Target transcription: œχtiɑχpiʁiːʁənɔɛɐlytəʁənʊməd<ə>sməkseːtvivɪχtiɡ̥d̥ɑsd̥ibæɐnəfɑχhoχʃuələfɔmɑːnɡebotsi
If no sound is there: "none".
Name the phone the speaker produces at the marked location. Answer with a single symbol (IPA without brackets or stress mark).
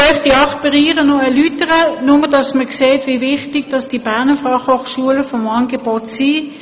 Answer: ɑ